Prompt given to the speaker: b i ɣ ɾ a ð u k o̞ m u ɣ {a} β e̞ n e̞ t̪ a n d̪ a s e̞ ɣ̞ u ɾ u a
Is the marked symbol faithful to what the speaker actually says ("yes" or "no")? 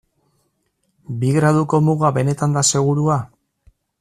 yes